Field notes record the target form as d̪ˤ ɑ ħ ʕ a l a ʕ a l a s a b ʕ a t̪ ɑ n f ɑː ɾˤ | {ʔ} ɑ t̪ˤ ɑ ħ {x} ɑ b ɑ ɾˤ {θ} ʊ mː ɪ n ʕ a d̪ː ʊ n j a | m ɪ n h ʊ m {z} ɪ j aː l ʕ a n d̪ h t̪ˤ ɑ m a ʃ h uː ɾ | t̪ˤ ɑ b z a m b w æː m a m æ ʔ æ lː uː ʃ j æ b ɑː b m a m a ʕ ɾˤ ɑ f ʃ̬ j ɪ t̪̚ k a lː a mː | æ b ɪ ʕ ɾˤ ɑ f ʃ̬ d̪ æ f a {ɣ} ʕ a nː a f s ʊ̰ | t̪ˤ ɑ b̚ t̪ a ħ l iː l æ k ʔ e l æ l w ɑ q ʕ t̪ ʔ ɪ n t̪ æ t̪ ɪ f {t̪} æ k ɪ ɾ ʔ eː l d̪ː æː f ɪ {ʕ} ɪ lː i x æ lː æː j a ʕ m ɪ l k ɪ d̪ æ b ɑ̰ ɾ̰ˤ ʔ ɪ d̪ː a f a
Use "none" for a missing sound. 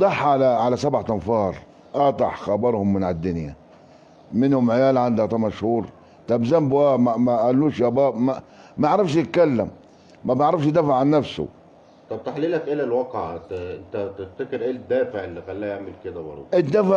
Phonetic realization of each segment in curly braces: ʔ, x, h, ʕ, ʕ, t̪, ʕ

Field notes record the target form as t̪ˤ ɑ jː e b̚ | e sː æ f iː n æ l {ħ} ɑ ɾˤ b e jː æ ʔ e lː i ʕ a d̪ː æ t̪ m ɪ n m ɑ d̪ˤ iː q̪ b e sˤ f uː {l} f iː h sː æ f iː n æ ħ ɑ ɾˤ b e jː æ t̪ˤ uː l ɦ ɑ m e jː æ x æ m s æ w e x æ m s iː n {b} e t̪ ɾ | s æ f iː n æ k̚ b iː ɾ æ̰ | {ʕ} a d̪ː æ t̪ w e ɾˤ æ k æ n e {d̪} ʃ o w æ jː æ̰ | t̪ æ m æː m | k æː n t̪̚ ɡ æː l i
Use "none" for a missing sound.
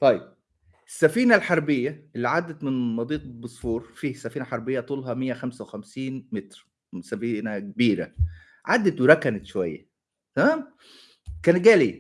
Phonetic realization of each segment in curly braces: ħ, ɾ, m, ʕ, t̪

